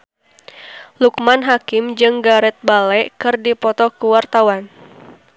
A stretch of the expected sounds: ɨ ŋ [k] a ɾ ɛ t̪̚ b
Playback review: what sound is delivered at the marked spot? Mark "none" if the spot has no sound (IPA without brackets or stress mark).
ɡ